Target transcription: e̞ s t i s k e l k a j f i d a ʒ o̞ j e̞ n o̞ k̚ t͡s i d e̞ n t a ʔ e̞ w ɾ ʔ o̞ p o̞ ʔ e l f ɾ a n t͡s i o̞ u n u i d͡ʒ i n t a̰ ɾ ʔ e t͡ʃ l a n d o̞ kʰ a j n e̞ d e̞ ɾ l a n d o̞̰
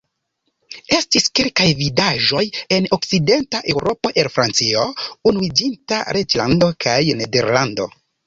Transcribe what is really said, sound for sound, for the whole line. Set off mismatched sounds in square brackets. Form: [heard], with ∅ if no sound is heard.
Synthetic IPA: e̞ s t i s k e l k a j [v] i d a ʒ o̞ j e̞ n o̞ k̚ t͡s i d e̞ n t a ʔ e̞ w ɾ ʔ o̞ p o̞ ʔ e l f ɾ a n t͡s i o̞ u n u i d͡ʒ i n t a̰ ɾ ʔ e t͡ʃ l a n d o̞ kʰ a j n e̞ d e̞ ɾ l a n d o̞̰